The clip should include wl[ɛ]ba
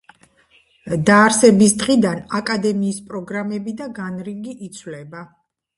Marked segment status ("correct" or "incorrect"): correct